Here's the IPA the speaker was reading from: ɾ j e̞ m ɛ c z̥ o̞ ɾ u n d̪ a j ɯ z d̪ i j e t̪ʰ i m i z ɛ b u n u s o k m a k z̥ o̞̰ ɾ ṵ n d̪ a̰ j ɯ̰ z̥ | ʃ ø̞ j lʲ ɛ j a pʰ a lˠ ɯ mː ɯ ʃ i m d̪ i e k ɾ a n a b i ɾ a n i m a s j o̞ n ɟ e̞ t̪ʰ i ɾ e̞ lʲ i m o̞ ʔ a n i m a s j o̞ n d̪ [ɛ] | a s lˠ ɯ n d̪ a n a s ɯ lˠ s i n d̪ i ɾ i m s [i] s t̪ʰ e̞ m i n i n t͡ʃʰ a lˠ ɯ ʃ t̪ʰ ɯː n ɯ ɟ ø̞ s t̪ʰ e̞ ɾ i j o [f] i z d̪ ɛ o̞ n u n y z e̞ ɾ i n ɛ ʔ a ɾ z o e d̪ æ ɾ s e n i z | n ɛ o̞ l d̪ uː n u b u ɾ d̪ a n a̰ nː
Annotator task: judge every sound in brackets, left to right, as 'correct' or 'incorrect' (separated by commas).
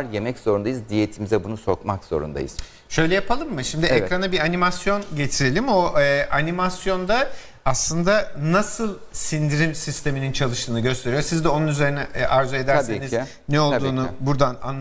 incorrect, correct, incorrect